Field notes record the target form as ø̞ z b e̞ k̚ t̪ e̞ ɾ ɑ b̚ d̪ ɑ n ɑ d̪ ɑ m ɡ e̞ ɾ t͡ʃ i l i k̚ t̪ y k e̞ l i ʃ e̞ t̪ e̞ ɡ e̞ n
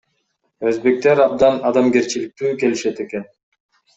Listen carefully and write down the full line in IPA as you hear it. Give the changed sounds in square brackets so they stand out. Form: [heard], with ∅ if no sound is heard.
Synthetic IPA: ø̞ z b e̞ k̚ t̪ e̞ ɾ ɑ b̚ d̪ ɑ n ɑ d̪ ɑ m ɡ e̞ ɾ t͡ʃ i l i k̚ t̪ [yː] k e̞ l i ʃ e̞ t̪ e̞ [k] e̞ n